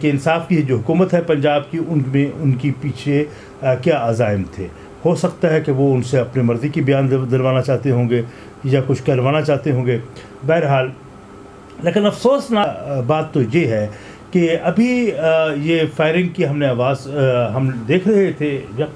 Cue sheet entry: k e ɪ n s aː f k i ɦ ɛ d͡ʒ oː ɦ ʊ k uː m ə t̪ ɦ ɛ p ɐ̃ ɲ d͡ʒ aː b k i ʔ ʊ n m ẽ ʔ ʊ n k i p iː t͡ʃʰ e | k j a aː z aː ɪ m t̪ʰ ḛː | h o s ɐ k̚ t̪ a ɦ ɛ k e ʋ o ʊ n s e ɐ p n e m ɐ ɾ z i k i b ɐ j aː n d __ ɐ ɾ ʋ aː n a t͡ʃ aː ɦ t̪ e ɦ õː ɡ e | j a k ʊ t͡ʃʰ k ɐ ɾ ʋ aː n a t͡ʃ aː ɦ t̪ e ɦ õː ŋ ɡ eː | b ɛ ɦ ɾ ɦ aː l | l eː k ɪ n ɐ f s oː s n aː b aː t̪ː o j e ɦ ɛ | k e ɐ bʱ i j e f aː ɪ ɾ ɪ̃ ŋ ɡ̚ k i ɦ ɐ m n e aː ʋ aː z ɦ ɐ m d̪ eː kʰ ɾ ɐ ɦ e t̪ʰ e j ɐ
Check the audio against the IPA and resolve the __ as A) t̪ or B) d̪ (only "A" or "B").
B